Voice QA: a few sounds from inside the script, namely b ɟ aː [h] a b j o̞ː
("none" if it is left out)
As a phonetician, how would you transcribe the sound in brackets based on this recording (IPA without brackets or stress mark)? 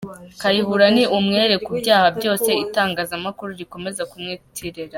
h